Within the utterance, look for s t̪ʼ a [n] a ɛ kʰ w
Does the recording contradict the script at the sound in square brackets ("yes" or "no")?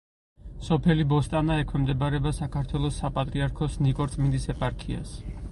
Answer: no